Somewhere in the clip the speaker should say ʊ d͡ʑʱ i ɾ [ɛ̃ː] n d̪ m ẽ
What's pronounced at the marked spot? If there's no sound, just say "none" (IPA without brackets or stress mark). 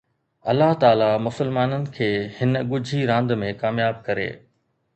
ãː